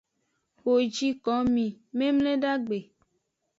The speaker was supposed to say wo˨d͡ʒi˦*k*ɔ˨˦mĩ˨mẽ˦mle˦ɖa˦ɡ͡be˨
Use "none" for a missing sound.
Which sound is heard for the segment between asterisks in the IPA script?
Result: k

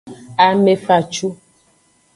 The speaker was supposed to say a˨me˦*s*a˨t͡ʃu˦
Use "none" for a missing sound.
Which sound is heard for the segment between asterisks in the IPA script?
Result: f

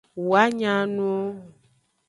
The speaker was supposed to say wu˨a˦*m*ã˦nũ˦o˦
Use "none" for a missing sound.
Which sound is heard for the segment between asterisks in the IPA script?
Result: ɲ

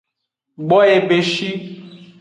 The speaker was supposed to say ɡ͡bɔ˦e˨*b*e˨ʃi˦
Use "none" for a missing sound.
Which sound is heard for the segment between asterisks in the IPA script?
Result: b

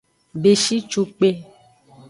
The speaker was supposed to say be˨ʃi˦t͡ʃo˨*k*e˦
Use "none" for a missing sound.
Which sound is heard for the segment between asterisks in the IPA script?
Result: k͡p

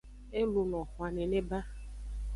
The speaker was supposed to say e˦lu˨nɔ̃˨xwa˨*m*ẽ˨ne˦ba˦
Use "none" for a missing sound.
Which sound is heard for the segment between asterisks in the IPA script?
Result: n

